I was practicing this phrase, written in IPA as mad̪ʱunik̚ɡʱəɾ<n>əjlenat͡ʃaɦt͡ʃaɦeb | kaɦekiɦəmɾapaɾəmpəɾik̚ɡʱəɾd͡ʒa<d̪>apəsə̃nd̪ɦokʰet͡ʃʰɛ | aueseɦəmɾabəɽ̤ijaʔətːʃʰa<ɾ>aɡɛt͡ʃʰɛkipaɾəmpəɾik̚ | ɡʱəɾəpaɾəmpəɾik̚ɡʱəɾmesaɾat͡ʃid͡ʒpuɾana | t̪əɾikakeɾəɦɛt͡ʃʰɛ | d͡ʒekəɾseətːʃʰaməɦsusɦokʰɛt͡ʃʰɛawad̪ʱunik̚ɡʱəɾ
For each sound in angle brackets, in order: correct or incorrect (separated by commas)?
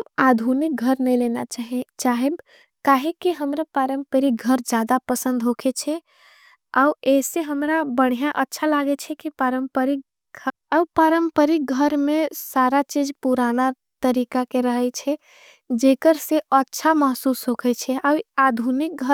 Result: correct, correct, incorrect